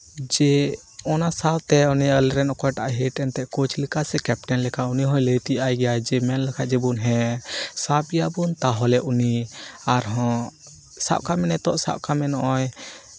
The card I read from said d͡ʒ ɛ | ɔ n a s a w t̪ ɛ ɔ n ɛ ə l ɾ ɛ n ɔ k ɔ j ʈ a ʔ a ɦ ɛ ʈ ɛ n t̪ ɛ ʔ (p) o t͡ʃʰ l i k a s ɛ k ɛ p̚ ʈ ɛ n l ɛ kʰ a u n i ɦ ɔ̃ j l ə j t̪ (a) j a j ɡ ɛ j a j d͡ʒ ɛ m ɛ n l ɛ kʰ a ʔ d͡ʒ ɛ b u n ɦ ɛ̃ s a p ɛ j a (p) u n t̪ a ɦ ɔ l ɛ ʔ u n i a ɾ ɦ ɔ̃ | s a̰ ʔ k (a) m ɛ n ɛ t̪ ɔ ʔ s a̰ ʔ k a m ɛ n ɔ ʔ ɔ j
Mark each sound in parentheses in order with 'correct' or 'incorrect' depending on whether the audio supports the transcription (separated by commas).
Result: incorrect, incorrect, incorrect, correct